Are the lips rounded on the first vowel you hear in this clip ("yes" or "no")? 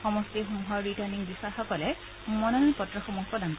yes